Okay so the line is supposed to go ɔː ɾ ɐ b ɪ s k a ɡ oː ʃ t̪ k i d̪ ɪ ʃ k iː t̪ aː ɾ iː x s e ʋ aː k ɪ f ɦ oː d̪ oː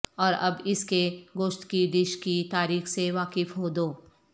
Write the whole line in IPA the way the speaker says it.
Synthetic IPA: ɔː ɾ ɐ b ɪ s k e ɡ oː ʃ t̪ k i d̪ ɪ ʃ k i t̪ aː ɾ iː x s e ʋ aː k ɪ f ɦ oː d̪ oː